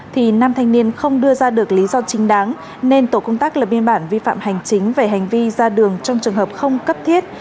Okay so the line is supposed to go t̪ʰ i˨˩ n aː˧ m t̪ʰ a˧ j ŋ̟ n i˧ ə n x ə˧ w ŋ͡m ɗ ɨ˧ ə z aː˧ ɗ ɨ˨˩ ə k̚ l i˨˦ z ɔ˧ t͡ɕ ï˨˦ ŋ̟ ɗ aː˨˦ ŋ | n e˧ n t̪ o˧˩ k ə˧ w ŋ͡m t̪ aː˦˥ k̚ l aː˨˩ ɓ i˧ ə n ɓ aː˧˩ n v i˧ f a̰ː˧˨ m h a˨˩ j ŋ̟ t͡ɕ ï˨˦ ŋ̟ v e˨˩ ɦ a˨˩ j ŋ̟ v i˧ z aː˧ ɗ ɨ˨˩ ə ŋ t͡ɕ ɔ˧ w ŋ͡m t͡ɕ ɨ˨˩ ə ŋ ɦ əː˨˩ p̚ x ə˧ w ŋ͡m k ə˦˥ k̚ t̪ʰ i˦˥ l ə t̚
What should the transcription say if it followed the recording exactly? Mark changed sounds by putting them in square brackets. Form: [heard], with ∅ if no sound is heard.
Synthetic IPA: t̪ʰ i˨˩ n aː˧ m t̪ʰ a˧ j ŋ̟ n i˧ ə n x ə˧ w ŋ͡m ɗ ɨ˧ ə z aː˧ ɗ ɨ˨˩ ə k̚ l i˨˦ z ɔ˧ t͡ɕ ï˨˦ ŋ̟ ɗ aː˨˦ ŋ | n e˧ n t̪ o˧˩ k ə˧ w ŋ͡m t̪ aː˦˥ k̚ l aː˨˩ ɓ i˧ ə n ɓ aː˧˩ n v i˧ f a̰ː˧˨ m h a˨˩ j ŋ̟ t͡ɕ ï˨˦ ŋ̟ v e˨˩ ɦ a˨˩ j ŋ̟ v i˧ z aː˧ ɗ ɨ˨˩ ə ŋ t͡ɕ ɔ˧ w ŋ͡m t͡ɕ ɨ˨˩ ə ŋ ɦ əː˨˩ p̚ x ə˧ w ŋ͡m k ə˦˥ [p̚] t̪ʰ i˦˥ [∅] ə t̚